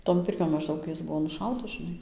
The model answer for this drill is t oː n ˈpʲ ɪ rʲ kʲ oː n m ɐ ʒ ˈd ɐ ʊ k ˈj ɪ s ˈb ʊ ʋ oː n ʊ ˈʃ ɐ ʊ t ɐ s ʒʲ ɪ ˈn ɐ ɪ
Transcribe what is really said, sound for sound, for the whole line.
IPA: t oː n ˈpʲ ɪ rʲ kʲ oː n m ɐ ʒ ˈd ɐ ʊ k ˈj ɪ s ˈb ʊ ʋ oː n ʊ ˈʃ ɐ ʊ t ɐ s ʒʲ ɪ ˈn ɐ ɪ